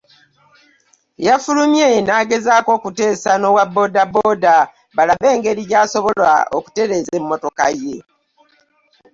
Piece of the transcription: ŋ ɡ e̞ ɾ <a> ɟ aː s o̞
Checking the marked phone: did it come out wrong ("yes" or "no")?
yes